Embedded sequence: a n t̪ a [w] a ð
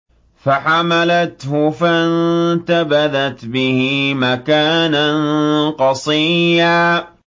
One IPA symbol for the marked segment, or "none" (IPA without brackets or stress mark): b